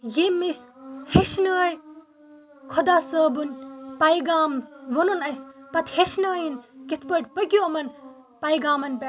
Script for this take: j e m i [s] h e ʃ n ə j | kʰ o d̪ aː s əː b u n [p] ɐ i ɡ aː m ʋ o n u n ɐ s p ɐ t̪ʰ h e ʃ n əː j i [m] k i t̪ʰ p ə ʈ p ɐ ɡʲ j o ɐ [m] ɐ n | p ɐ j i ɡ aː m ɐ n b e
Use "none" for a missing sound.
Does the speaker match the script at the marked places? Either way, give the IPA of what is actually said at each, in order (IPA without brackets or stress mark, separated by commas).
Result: s, p, n, m